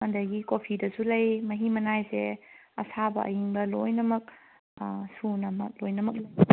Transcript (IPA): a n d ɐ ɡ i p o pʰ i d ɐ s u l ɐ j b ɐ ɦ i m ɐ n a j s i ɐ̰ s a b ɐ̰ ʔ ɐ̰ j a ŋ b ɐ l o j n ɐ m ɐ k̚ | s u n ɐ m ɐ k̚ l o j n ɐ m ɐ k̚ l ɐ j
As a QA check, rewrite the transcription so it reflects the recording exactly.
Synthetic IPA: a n d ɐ ɡ i k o pʰ i d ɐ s u l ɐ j m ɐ ɦ i m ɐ n a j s e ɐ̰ s a b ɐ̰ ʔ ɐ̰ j i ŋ b ɐ l o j n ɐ m ɐ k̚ | s u n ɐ m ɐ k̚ l o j n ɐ m ɐ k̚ l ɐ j